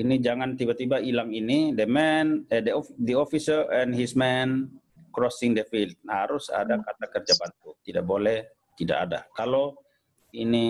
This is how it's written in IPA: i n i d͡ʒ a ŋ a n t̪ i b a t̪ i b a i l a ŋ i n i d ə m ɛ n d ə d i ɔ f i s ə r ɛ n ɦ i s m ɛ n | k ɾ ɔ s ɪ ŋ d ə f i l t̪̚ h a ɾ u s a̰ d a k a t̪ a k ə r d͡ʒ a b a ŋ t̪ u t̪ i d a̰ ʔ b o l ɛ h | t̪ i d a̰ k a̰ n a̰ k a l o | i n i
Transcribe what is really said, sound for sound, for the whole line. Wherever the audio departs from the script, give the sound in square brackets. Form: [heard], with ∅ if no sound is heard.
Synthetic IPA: i n i d͡ʒ a ŋ a n t̪ i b a t̪ i b a i l a ŋ i n i d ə m ɛ n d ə d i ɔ f i s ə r ɛ n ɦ i s m ɛ n | k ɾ ɔ s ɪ ŋ d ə f i l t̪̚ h a ɾ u s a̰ d a k a t̪ a k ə r d͡ʒ a b a [n] t̪ u t̪ i d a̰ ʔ b o l ɛ h | t̪ i d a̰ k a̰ [d] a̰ k a l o | i n i